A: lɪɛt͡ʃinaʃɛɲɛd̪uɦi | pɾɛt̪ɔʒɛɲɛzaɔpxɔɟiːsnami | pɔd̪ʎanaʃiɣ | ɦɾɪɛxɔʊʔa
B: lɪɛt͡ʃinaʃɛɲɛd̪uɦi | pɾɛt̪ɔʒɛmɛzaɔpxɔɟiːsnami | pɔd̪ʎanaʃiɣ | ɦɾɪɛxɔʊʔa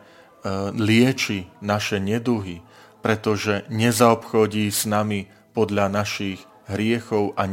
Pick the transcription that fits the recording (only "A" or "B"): A